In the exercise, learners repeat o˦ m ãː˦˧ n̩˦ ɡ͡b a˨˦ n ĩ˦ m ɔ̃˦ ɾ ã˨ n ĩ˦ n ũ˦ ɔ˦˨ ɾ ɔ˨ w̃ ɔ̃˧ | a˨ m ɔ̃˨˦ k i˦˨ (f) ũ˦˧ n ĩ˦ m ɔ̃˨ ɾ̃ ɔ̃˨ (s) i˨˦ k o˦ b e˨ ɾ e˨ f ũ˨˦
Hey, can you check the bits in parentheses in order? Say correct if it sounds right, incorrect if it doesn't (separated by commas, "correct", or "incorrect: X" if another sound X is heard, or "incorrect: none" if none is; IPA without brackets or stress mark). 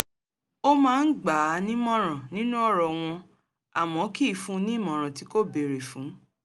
correct, incorrect: t